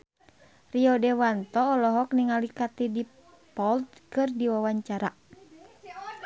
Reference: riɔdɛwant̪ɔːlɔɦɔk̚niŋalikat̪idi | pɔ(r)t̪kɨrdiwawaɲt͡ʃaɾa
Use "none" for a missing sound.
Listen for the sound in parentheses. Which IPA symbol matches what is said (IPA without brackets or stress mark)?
l